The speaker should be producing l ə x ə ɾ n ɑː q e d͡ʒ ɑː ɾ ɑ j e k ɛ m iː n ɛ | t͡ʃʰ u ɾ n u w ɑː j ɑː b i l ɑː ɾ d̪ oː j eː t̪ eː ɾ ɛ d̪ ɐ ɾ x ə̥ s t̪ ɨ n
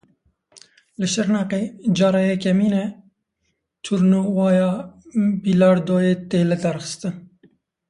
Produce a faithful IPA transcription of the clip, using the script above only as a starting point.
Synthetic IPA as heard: l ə ʃ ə ɾ n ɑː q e d͡ʒ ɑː ɾ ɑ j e k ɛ m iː n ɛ | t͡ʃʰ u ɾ n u w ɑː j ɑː b i l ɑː ɾ d̪ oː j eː t̪ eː l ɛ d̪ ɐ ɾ x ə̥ s t̪ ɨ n